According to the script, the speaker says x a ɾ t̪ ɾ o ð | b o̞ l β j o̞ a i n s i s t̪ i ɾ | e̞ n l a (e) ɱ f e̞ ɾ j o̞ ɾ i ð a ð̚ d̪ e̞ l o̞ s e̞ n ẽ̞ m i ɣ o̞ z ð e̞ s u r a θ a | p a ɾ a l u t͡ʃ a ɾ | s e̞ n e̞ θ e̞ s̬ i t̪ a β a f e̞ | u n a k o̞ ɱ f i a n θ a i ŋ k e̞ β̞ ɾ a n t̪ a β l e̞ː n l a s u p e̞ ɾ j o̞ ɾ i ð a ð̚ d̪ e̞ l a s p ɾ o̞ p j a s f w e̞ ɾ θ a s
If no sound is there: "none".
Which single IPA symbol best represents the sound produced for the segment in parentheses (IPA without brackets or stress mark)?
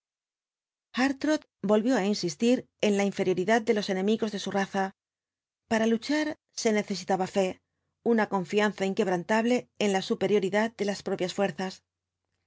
i